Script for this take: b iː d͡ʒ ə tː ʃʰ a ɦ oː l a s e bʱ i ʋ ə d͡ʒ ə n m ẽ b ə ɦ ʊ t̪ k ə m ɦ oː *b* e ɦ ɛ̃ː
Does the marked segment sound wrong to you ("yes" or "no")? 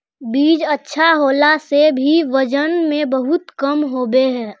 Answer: no